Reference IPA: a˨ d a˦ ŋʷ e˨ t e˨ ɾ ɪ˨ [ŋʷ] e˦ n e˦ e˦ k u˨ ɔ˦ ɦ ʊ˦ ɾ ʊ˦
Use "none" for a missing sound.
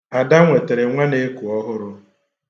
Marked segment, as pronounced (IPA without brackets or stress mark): ŋʷ